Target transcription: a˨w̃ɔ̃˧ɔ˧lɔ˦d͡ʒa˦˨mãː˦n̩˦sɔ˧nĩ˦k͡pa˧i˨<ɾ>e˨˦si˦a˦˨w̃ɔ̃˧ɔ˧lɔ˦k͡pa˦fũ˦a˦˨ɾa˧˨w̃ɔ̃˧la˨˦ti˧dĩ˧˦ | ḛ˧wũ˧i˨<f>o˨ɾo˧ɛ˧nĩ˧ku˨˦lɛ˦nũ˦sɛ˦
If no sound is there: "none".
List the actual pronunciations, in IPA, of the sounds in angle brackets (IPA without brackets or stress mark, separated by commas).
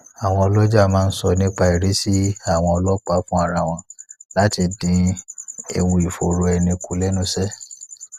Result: ɾ, f